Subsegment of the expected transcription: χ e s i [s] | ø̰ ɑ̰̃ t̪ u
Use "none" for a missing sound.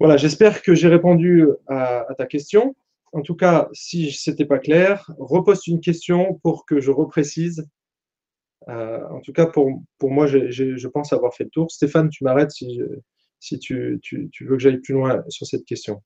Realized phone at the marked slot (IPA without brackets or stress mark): z